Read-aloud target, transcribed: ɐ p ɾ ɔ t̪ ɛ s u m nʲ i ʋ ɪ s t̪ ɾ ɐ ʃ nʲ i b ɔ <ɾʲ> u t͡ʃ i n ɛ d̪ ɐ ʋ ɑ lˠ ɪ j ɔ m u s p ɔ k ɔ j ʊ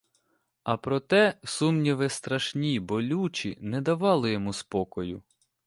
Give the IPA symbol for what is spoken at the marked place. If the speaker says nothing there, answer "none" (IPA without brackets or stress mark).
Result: lʲ